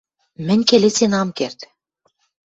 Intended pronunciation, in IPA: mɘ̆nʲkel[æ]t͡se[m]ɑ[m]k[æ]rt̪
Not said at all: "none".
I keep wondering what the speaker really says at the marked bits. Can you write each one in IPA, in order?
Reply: e, n, m, e

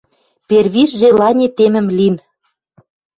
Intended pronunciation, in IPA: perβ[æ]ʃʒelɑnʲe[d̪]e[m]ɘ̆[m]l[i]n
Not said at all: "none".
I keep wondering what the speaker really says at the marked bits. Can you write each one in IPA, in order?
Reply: i, t̪, m, m, i

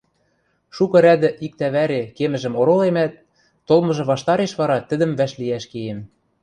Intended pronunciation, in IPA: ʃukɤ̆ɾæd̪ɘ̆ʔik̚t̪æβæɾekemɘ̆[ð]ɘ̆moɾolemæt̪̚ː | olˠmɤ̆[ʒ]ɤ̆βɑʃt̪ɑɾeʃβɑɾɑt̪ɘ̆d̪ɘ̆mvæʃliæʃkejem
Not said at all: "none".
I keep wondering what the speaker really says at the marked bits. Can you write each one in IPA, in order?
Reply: ʒ, ʒ

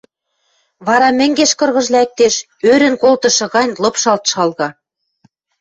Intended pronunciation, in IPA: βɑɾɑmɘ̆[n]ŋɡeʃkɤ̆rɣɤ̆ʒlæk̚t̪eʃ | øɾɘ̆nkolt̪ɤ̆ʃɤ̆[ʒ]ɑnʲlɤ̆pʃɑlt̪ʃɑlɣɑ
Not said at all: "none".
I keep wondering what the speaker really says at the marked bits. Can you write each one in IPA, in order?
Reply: none, ɣ

